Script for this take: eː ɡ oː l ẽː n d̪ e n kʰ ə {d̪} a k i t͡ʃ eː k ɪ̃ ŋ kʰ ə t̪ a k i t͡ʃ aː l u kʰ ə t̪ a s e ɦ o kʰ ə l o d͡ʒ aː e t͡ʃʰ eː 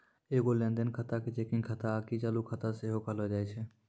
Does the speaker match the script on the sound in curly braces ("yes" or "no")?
no